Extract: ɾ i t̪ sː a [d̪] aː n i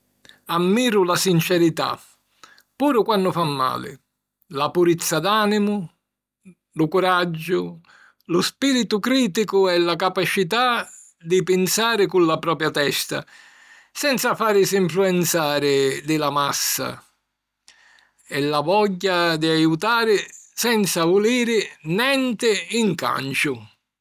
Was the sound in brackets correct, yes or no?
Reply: yes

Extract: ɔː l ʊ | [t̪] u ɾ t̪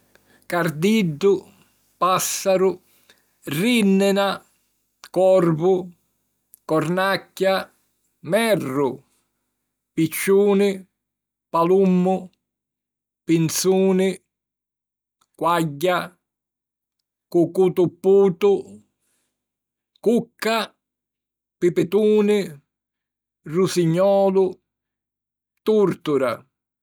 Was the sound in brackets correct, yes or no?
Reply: yes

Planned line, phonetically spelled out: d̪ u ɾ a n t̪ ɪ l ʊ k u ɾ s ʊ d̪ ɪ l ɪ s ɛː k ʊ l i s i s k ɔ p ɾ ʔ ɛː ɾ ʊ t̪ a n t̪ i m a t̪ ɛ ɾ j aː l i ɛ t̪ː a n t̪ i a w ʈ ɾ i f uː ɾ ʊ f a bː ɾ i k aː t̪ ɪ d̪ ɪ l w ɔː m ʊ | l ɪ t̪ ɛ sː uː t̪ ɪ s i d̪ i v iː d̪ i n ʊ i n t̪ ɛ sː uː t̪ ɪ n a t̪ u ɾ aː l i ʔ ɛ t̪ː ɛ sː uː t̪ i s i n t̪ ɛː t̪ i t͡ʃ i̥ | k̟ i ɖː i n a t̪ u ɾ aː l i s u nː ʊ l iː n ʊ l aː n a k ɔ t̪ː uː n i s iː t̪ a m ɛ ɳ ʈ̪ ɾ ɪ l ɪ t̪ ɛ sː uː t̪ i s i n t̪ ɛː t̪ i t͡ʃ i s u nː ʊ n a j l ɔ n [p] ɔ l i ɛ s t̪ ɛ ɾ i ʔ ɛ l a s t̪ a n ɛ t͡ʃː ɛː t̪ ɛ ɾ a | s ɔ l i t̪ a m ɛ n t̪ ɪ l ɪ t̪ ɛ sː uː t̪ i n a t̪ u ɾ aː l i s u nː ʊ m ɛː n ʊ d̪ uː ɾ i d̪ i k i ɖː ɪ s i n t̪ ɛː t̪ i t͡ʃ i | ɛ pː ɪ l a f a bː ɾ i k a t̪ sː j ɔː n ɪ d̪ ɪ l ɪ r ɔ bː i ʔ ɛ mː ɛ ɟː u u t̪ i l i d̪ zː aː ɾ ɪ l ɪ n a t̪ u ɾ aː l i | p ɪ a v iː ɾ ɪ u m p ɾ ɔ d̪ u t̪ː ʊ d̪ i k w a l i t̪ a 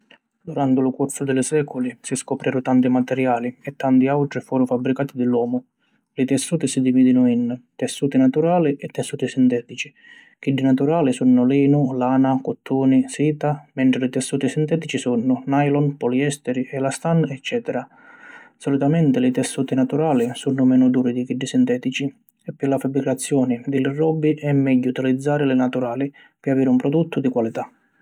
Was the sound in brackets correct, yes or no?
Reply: yes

